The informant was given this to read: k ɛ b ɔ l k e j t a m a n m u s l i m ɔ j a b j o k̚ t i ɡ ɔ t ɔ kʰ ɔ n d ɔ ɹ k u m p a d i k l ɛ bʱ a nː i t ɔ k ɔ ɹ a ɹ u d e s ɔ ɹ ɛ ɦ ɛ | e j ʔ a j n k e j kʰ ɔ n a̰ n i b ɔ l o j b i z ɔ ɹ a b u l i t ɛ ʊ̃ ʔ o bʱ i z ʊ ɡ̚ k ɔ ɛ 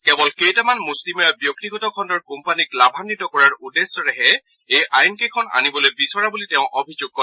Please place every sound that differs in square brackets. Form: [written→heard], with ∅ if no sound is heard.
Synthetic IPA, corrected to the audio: k ɛ b ɔ l k e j t a m a n m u s l i m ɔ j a b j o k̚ t i ɡ ɔ t ɔ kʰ ɔ n d ɔ ɹ k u m p a [d→n] i k l [ɛ→a] bʱ a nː i t ɔ k ɔ ɹ a ɹ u d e s ɔ ɹ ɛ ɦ ɛ | e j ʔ a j n k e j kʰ ɔ n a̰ n i b ɔ l o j b i [z→s] ɔ ɹ a b u l i t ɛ ʊ̃ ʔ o bʱ i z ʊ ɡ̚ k ɔ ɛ

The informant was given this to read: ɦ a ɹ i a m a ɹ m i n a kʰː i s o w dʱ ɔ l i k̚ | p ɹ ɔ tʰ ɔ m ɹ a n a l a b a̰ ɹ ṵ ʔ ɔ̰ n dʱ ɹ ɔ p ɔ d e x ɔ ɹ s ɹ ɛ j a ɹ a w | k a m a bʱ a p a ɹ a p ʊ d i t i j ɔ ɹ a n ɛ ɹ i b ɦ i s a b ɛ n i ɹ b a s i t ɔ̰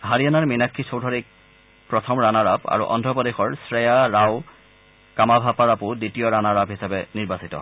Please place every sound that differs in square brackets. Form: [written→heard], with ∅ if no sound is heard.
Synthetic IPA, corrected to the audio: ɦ a ɹ i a [m→n] a ɹ m i n a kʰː i s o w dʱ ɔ [l→ɹ] i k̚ | p ɹ ɔ tʰ ɔ m ɹ a n a [l→ɹ] a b a̰ ɹ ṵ ʔ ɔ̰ n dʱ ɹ ɔ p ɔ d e x ɔ ɹ s ɹ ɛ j a ɹ a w | k a m a bʱ a p a ɹ a p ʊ d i t i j ɔ ɹ a n [ɛ→a] ɹ [i→a] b ɦ i s a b ɛ n i ɹ b a s i t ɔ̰

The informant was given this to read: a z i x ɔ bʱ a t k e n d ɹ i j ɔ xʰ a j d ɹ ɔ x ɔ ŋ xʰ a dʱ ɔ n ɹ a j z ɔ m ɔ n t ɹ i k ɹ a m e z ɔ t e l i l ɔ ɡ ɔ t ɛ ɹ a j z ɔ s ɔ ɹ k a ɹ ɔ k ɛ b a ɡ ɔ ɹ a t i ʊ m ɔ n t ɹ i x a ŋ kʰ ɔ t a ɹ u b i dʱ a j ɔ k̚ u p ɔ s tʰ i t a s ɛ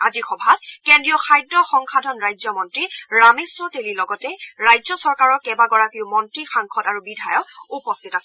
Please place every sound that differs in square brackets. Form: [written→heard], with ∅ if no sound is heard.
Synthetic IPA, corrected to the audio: a z i x ɔ bʱ a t k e n d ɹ i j ɔ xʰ a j d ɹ ɔ x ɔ ŋ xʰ a dʱ ɔ n ɹ a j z ɔ m ɔ n t ɹ i [k→∅] ɹ a m e [z→s] ɔ t e l i l ɔ ɡ ɔ t ɛ ɹ a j z ɔ s ɔ ɹ k a ɹ ɔ k ɛ b a ɡ ɔ ɹ a [t→k] i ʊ m ɔ n t ɹ i x a ŋ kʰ ɔ t a ɹ u b i dʱ a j ɔ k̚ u p ɔ s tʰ i t a s ɛ

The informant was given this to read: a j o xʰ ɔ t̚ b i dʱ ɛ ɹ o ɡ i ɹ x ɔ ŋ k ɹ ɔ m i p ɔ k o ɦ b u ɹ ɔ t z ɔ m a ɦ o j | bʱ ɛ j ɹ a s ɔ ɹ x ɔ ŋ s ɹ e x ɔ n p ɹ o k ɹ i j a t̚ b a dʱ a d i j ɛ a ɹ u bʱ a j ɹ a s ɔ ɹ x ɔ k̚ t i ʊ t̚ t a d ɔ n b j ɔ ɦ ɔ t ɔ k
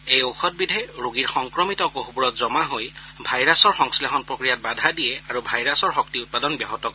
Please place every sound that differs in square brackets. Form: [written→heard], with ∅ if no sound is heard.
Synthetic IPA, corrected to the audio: [a→e] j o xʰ ɔ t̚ b i dʱ ɛ ɹ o ɡ i ɹ x ɔ ŋ k ɹ ɔ m i [p→t] ɔ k o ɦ b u ɹ ɔ t z ɔ m a ɦ o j | bʱ [ɛ→a] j ɹ a s ɔ ɹ x ɔ ŋ s [ɹ→l] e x ɔ n p ɹ o k ɹ i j a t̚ b a dʱ a d i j ɛ a ɹ u bʱ a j ɹ a s ɔ ɹ x ɔ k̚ t i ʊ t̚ [t→p] a d ɔ n b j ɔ ɦ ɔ t ɔ k

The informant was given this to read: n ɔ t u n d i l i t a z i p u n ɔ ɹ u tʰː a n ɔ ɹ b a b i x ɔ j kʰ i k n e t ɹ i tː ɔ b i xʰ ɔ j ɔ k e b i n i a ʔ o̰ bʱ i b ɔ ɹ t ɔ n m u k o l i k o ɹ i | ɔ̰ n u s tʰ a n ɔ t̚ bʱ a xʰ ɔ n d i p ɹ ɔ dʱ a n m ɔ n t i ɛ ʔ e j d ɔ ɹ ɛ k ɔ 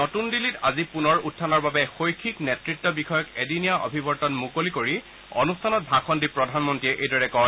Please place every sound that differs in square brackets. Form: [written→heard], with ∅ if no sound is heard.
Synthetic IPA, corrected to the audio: n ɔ t u n d i l i t a z i p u n ɔ ɹ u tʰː a n ɔ ɹ b a b [i→ɛ] x [ɔ→o] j kʰ i k n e t ɹ i tː ɔ b i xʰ ɔ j ɔ k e [b→d] i n i a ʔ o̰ bʱ i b ɔ ɹ t ɔ n m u k o l i k o ɹ i | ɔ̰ n u s tʰ a n ɔ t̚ bʱ a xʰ ɔ n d i p ɹ ɔ dʱ a n m ɔ n t i ɛ ʔ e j d ɔ ɹ ɛ k ɔ

